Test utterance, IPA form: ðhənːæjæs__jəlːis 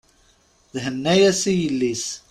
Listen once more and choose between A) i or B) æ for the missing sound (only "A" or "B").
A